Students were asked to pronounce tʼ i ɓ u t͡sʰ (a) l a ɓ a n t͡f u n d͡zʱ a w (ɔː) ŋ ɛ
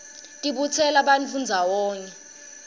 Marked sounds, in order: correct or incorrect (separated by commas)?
incorrect, correct